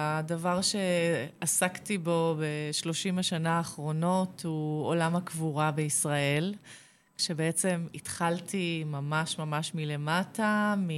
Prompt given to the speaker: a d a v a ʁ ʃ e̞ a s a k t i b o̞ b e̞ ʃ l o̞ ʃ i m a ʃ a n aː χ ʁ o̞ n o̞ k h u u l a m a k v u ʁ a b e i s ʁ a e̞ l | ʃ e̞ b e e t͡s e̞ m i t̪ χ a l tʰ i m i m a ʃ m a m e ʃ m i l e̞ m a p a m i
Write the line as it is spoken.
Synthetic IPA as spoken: a d a v a ʁ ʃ e̞ a s a k t i b o̞ b e̞ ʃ l o̞ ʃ i m a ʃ a n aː χ ʁ o̞ n o̞ t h u o l a m a k v u ʁ a b e i s ʁ a e̞ l | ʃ e̞ b e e t͡s e̞ m i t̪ χ a l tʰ i m a m a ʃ m a m a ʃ m i l e̞ m a t a m i